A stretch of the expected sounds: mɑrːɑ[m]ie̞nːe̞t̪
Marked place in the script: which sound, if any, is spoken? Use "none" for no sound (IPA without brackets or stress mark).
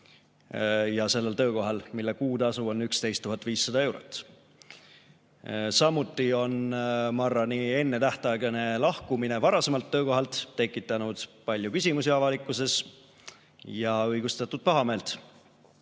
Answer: n